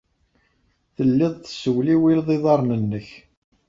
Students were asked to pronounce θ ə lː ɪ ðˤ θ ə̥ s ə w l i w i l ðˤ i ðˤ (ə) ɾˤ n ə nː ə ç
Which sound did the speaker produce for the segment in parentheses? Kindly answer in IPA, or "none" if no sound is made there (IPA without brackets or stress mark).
ɑ